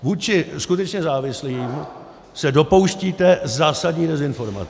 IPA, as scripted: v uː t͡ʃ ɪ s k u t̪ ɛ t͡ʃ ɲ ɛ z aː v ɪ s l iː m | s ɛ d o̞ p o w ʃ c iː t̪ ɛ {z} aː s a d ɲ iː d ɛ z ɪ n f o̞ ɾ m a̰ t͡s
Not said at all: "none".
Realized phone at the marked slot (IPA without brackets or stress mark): z